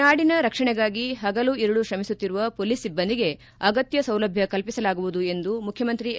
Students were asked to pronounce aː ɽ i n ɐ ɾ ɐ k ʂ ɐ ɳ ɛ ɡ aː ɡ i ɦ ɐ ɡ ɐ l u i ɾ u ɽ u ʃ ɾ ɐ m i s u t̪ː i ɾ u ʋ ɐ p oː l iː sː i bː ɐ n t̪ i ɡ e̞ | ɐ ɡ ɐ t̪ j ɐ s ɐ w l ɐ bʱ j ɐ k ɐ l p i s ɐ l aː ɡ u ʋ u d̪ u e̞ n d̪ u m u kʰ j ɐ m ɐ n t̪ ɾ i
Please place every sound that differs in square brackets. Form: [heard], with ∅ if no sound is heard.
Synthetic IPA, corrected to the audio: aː ɽ i n ɐ ɾ ɐ k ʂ ɐ ɳ ɛ ɡ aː ɡ i ɦ ɐ ɡ ɐ l u i ɾ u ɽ u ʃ ɾ ɐ m i s u t̪ː i ɾ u ʋ ɐ p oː l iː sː i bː ɐ n [d̪] i ɡ e̞ | ɐ ɡ ɐ t̪ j ɐ s ɐ w l ɐ bʱ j ɐ k ɐ l p i s ɐ l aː ɡ u ʋ u d̪ u e̞ n d̪ u m u kʰ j ɐ m ɐ n t̪ ɾ i